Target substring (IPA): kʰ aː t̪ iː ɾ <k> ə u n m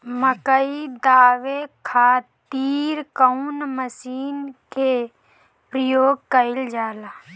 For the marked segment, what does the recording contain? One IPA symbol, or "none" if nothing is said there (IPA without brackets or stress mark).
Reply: k